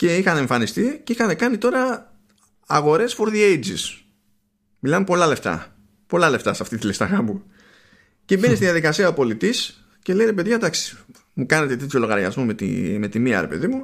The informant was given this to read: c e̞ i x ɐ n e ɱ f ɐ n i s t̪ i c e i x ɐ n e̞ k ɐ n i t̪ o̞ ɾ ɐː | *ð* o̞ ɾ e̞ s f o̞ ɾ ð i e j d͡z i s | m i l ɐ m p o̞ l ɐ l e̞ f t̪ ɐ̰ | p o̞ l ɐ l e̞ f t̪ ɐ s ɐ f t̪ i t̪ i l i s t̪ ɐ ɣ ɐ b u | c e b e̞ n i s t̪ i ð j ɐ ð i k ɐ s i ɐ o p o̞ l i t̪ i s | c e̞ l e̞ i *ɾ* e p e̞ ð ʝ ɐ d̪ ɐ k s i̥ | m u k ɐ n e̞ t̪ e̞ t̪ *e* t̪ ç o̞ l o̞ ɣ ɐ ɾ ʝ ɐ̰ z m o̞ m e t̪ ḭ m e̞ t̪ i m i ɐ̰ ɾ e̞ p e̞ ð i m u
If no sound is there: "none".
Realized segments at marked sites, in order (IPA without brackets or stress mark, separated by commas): ɣ, ɾ, e